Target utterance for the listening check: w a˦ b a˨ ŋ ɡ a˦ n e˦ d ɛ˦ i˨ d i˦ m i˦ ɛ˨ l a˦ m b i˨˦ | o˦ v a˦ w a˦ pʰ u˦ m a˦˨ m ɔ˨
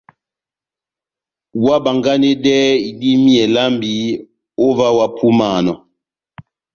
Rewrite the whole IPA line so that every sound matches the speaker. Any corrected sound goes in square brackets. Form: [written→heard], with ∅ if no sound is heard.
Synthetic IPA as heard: w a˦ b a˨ ŋ ɡ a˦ n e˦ d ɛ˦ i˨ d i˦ m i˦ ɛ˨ l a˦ m b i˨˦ | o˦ v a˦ w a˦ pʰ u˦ m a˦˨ [m→n] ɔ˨